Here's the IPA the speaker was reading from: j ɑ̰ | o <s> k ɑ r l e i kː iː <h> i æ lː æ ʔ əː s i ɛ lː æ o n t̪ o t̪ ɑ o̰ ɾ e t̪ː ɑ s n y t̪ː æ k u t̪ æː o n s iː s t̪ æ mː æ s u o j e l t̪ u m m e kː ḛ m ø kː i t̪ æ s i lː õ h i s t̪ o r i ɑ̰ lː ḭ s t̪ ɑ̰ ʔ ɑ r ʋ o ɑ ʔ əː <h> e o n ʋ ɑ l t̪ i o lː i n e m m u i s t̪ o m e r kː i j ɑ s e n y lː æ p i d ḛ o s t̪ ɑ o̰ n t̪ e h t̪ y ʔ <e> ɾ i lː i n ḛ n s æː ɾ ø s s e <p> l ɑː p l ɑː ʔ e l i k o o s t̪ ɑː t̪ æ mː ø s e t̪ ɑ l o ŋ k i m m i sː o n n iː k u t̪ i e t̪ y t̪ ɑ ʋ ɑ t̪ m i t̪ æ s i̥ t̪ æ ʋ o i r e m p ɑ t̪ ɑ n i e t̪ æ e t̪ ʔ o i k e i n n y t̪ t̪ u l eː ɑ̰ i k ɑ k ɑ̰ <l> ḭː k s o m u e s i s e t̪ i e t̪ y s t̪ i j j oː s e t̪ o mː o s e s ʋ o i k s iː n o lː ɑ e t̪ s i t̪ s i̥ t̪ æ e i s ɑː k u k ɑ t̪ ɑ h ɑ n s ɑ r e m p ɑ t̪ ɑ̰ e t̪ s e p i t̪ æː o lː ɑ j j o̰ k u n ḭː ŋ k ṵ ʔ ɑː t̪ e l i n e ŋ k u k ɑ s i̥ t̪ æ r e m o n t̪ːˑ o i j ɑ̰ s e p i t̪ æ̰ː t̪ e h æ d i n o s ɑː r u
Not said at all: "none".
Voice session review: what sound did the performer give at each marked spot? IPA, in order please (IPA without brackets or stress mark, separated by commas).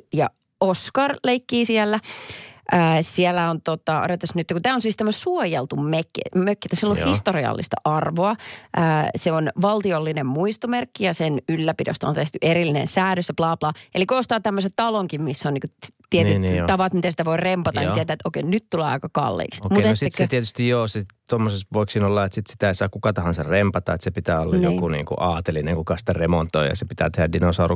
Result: s, s, s, e, p, lː